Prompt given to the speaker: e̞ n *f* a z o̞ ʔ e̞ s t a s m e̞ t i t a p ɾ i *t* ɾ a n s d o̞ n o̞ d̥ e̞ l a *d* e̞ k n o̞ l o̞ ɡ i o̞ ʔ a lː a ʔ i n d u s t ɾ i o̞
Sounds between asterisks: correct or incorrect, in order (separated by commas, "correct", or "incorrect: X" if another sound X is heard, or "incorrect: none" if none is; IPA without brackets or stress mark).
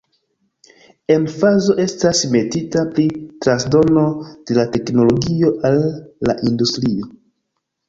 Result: correct, correct, incorrect: t